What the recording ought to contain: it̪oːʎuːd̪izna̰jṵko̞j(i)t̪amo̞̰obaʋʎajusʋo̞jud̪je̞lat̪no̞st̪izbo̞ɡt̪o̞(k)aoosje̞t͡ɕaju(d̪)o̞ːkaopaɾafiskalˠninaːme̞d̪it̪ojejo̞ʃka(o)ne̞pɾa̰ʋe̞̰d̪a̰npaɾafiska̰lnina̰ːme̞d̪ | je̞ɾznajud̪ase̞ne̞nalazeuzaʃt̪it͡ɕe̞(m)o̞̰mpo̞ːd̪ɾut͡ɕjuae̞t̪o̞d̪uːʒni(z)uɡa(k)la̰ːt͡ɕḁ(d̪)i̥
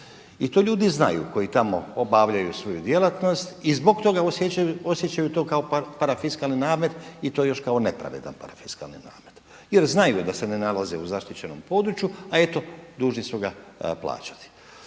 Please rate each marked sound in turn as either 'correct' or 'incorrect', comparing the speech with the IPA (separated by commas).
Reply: correct, incorrect, incorrect, correct, incorrect, incorrect, incorrect, incorrect